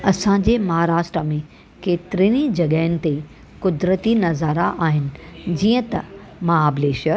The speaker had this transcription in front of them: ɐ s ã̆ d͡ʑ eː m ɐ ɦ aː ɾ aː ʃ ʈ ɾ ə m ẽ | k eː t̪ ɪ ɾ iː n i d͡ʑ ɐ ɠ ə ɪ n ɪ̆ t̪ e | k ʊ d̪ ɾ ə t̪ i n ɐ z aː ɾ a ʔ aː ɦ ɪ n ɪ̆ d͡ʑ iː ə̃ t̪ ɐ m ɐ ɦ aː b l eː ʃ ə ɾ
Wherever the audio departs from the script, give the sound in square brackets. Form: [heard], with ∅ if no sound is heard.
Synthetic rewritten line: ɐ s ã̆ d͡ʑ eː m ɐ ɦ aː ɾ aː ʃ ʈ ɾ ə m ẽ | k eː t̪ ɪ ɾ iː n i d͡ʑ ɐ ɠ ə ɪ n ɪ̆ t̪ e | k ʊ d̪ ɾ ə t̪ i n ɐ z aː ɾ a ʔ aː ɦ ɪ n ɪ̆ d͡ʑ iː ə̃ t̪ ɐ m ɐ ɦ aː b l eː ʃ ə ɾ